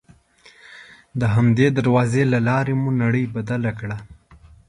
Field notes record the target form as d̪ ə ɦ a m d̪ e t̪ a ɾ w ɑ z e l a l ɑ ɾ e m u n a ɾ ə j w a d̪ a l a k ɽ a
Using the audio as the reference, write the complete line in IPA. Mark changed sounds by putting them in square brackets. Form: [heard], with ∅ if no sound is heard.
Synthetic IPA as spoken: d̪ ə ɦ a m d̪ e [d̪] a ɾ w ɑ z e l a l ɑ ɾ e m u n a [ɽ] ə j [b] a d̪ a l a k ɽ a